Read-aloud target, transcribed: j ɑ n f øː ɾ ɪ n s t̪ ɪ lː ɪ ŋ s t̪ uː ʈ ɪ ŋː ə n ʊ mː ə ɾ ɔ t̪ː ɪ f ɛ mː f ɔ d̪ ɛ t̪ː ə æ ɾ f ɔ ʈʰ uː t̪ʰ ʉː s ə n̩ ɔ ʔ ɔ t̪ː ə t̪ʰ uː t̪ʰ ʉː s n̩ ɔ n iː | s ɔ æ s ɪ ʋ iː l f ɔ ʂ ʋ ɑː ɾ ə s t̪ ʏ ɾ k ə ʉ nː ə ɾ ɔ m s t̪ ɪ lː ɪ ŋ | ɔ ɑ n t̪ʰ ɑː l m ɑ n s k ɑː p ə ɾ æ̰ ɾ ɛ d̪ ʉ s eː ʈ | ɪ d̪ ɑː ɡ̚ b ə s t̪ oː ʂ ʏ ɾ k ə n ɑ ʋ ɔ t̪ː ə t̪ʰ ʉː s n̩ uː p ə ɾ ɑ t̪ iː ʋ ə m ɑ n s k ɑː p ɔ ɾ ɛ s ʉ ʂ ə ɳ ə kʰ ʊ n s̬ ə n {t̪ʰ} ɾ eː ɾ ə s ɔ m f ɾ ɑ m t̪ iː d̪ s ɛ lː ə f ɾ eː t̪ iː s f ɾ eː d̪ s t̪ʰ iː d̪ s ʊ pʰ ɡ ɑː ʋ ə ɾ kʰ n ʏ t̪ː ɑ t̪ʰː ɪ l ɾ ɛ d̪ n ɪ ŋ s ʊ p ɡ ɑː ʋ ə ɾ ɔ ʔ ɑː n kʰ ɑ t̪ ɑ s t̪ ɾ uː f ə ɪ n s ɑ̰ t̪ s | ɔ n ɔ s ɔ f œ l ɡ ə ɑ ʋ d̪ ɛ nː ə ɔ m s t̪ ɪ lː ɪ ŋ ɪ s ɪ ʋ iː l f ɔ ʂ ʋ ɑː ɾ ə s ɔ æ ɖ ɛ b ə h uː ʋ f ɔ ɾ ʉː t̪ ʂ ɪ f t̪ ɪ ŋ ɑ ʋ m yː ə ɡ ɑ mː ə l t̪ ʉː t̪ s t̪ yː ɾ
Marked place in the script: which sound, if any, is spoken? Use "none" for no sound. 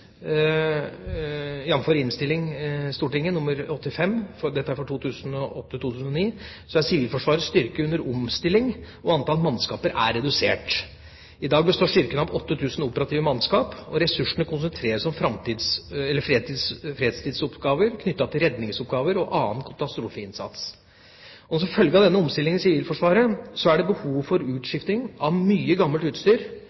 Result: t̪ʰ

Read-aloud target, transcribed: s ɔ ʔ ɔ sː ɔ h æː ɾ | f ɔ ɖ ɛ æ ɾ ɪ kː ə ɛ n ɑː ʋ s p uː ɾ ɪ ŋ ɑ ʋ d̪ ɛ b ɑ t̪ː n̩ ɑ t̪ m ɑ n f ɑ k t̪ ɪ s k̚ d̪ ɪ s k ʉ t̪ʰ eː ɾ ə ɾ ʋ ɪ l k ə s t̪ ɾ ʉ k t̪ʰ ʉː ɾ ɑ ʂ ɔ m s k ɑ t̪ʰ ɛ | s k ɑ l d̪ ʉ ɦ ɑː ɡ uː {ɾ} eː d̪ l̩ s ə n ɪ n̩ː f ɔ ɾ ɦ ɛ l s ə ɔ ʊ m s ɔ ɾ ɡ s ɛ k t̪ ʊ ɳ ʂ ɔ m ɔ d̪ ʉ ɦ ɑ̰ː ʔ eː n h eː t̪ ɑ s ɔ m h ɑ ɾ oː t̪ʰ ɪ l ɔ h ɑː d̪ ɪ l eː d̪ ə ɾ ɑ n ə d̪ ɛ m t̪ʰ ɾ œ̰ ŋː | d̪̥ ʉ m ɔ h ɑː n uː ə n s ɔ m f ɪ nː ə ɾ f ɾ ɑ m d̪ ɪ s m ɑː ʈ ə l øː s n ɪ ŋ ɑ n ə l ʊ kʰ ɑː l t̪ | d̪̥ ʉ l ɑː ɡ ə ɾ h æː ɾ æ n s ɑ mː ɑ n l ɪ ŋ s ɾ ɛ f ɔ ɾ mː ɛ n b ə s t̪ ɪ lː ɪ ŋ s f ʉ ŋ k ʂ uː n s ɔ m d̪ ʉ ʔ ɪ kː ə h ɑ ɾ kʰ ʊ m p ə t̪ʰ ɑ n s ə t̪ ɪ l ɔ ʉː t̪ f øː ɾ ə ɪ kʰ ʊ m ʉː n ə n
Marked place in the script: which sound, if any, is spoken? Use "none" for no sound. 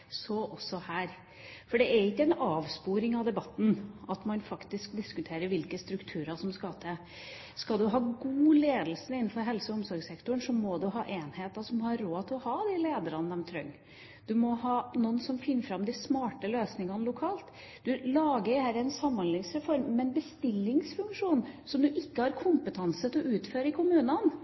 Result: l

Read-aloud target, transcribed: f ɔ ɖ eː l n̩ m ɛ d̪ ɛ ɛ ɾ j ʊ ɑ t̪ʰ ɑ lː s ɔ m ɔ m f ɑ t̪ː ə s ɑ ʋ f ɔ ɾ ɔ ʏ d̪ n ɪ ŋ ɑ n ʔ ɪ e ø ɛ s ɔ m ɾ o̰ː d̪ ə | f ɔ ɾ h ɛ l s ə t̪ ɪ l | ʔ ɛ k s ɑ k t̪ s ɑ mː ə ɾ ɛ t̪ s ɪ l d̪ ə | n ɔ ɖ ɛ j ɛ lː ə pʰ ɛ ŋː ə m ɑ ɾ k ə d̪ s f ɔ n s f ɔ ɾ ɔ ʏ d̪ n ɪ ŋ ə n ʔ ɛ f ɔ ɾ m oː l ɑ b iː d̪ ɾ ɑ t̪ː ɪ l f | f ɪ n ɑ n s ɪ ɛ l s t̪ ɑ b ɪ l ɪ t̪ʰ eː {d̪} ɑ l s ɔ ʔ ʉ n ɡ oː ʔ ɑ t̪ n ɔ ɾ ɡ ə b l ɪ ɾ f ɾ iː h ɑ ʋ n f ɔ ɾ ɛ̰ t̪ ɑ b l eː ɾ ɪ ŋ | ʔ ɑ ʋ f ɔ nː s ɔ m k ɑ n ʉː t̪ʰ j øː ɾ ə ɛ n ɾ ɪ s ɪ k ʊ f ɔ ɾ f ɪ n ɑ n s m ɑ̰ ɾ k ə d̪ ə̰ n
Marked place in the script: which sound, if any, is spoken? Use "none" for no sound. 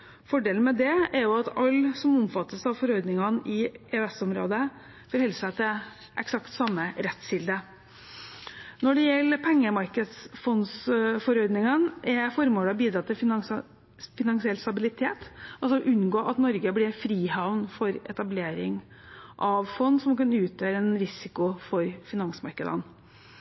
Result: t̪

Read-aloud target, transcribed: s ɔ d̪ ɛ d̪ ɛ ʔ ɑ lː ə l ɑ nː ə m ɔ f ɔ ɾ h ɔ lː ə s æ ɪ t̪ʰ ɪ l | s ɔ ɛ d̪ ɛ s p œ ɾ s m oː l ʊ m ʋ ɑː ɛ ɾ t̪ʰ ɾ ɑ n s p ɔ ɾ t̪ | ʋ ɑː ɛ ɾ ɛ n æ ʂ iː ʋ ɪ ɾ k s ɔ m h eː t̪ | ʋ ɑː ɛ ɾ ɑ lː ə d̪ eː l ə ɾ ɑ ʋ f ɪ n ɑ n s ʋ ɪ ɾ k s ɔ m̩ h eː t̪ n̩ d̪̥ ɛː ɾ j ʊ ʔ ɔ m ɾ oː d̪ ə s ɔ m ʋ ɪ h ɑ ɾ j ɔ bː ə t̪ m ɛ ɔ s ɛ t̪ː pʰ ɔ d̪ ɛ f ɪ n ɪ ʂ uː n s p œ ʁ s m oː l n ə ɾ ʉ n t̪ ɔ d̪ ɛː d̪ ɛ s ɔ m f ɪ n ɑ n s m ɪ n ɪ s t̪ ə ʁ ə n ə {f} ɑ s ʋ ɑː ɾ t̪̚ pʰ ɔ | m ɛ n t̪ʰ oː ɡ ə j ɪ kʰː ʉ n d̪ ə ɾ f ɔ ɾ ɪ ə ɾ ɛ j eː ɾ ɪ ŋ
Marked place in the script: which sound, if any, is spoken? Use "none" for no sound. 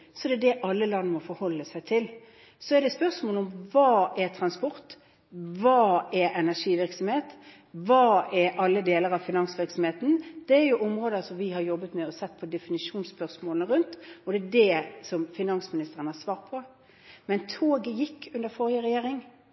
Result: h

